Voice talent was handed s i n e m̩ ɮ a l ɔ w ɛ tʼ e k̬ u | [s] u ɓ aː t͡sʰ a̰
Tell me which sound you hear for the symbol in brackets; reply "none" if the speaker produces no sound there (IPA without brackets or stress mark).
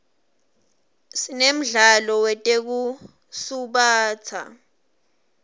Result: s